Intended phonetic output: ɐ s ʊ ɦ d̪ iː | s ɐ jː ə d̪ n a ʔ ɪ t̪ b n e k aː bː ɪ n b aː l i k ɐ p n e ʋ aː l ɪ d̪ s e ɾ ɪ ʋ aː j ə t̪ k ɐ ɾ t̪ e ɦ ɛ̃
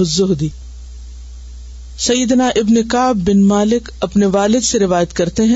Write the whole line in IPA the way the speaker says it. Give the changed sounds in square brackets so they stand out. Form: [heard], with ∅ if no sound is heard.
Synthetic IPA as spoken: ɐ [z] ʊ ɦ d̪ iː | s ɐ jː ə d̪ n a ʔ ɪ [∅] b n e k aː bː ɪ n [m] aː l [ɪ] k ɐ p n e ʋ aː l ɪ d̪ s e ɾ ɪ ʋ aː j ə t̪ k ɐ ɾ t̪ e ɦ ɛ̃